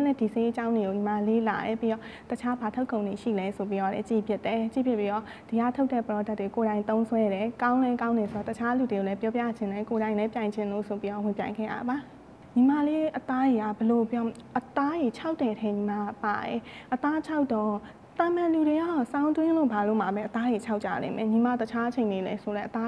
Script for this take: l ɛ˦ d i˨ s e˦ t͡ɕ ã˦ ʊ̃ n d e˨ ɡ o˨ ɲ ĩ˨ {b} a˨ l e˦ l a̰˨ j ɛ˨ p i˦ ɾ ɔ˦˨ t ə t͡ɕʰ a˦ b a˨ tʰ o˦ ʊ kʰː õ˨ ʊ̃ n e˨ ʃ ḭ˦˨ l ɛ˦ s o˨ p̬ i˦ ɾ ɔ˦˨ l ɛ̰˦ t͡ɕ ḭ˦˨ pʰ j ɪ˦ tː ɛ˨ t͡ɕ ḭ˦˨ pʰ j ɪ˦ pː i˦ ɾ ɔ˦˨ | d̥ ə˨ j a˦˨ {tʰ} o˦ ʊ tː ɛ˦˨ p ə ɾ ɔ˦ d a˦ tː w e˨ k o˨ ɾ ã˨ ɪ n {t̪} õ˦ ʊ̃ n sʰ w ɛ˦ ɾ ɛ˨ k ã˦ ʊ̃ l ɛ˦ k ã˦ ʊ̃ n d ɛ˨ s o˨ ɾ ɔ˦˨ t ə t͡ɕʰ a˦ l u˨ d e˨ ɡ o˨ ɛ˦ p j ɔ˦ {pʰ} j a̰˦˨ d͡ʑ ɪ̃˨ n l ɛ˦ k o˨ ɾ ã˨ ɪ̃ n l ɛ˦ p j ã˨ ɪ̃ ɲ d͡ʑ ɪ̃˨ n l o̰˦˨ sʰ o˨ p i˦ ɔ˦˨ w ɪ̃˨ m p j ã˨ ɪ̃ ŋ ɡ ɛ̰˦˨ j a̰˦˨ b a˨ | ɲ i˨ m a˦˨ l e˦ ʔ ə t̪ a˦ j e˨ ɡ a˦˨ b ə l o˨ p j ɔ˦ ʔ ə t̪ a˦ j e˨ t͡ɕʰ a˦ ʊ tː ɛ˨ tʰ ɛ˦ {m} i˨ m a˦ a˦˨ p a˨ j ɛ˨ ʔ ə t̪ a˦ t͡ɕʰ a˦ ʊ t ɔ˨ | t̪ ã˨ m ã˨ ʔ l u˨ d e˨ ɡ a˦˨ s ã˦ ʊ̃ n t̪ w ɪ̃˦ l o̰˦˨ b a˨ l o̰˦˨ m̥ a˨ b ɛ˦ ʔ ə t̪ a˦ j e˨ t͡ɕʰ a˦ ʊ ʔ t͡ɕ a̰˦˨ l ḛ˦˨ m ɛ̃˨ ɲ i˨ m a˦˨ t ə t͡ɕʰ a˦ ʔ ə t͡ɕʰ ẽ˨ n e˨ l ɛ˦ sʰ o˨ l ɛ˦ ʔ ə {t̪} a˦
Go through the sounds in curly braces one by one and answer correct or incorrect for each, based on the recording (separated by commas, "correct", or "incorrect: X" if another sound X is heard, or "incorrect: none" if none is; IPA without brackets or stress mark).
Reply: incorrect: m, correct, correct, incorrect: p, incorrect: ɲ, correct